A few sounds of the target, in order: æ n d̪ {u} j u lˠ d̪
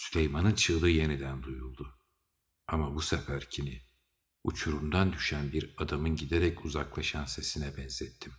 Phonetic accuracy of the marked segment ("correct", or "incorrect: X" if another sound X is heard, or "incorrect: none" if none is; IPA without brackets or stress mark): correct